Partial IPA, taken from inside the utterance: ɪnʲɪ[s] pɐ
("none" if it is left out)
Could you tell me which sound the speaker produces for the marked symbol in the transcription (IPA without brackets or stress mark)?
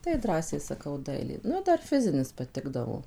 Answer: s